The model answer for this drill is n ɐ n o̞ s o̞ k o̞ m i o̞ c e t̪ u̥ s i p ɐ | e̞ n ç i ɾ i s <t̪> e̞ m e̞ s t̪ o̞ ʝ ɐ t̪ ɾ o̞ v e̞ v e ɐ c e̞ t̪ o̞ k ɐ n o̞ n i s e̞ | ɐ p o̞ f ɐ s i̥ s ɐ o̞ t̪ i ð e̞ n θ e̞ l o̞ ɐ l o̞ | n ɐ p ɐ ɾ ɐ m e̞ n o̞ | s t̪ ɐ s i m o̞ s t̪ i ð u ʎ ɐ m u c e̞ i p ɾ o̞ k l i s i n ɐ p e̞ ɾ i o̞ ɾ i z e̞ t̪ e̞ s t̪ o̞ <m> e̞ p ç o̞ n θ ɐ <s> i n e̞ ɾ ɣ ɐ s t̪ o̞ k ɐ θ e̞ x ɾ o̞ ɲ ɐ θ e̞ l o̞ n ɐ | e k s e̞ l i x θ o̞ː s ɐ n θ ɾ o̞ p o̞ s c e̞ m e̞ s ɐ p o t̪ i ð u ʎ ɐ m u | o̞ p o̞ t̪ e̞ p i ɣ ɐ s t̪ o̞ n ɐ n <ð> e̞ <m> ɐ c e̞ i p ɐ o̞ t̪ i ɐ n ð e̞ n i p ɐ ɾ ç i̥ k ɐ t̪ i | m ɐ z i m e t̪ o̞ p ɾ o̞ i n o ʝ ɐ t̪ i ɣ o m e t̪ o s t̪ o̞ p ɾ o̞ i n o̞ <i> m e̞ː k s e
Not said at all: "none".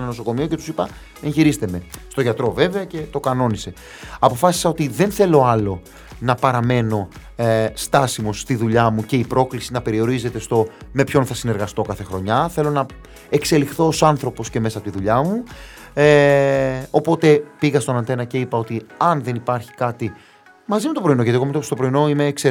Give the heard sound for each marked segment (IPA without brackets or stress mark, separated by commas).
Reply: t̪, m, s, θ, n, i